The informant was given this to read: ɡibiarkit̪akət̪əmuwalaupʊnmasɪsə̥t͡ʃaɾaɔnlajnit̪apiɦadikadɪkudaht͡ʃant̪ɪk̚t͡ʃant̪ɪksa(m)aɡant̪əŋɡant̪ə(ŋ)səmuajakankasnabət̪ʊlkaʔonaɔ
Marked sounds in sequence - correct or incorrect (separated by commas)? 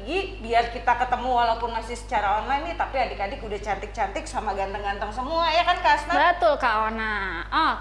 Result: correct, correct